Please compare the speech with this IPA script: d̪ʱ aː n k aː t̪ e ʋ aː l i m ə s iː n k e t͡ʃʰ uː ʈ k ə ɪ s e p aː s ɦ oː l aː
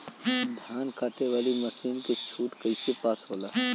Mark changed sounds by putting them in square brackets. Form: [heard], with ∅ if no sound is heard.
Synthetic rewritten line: d̪ʱ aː n k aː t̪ e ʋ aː l i m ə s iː n k e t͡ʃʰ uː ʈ k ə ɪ s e p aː s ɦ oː l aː